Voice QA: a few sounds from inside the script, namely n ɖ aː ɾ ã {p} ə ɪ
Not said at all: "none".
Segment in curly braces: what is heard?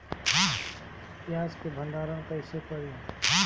k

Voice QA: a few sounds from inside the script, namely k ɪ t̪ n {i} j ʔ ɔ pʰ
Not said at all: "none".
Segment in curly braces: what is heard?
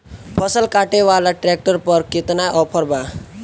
a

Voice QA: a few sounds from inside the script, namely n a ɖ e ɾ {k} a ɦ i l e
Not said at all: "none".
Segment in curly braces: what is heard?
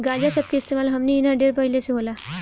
p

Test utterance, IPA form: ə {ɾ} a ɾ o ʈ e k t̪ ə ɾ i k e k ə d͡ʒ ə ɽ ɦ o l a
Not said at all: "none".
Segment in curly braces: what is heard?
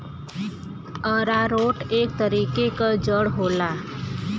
ɾ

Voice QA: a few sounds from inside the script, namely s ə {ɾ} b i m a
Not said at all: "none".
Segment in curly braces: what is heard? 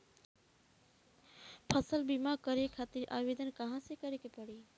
l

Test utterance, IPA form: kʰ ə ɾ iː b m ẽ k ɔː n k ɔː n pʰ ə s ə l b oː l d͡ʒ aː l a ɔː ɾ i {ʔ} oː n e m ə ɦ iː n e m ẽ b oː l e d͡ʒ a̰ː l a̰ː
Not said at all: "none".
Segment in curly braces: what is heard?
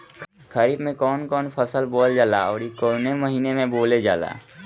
k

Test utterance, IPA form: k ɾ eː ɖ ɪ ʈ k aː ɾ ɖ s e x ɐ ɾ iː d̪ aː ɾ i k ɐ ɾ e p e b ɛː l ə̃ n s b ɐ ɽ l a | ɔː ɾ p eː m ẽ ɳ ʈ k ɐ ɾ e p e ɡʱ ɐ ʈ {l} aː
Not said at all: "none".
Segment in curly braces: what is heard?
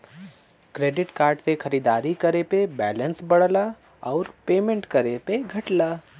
l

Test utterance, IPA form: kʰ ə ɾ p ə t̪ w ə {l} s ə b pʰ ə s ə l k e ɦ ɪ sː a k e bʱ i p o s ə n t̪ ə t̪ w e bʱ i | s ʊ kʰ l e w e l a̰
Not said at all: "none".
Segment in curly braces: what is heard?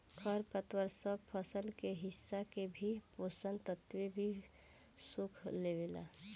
ɾ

